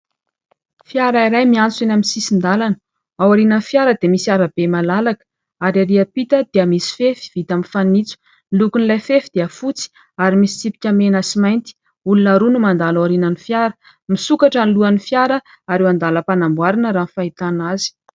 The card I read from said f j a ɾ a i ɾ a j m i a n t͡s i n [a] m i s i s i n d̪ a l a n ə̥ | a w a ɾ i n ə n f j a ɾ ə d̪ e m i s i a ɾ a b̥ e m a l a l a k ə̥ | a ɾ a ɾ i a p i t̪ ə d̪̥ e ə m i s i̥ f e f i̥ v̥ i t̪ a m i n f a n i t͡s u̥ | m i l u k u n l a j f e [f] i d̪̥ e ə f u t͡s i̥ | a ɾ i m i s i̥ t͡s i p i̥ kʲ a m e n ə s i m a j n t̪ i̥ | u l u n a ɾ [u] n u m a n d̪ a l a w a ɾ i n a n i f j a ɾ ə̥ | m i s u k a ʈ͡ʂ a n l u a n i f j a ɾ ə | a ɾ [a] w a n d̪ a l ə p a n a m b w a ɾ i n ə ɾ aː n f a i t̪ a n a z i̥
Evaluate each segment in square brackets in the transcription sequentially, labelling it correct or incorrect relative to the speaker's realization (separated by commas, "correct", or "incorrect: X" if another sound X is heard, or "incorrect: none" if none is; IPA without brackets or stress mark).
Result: correct, correct, correct, incorrect: e